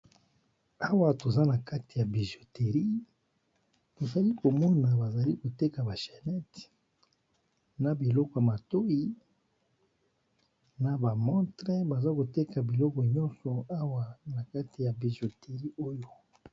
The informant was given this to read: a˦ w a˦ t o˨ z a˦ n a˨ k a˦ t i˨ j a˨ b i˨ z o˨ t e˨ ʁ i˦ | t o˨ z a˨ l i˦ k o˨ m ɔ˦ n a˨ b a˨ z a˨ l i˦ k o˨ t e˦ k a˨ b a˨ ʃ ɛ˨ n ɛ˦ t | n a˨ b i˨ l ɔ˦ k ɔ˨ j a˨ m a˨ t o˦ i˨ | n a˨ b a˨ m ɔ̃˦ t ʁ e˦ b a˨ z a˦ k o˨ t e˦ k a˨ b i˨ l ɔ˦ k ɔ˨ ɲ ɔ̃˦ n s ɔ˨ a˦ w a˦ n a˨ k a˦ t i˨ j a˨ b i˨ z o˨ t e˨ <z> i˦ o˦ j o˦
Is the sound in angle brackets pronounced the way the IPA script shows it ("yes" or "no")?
no